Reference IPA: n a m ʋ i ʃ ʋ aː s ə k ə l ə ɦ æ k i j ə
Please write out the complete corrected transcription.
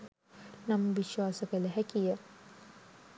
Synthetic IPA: n a m ʋ i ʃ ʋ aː s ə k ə l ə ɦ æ k i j ə